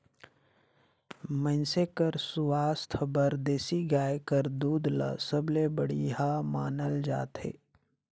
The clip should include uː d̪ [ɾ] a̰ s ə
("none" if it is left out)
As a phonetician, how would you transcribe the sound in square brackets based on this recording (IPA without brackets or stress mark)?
l